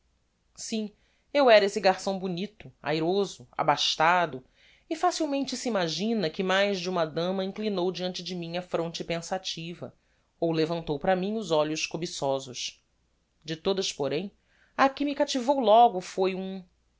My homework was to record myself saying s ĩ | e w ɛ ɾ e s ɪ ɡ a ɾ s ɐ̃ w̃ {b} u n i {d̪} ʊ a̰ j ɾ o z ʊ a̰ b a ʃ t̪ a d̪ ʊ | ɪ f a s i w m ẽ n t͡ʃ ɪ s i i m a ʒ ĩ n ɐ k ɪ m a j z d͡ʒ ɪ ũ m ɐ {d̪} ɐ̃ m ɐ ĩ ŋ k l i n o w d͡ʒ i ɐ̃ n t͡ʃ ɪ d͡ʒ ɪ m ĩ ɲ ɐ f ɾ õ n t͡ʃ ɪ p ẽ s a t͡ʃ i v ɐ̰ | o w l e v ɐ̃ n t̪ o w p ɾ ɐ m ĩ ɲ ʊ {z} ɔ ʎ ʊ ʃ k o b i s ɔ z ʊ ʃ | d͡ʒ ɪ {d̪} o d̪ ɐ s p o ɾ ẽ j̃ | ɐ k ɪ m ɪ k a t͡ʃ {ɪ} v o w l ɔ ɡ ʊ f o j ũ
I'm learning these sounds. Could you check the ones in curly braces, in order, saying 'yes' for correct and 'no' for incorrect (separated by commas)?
yes, no, yes, yes, no, no